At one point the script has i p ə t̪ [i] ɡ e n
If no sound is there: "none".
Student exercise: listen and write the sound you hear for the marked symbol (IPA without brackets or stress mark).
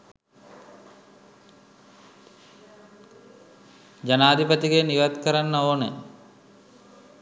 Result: i